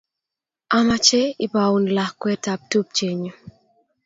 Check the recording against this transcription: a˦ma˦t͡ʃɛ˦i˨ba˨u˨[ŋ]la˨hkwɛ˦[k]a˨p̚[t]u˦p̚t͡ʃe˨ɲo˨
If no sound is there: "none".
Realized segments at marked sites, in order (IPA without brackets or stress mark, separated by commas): n, t, t